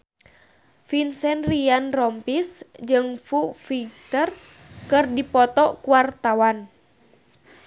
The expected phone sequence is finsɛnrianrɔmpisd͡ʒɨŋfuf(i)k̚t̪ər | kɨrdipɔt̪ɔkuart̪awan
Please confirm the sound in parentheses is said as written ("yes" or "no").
yes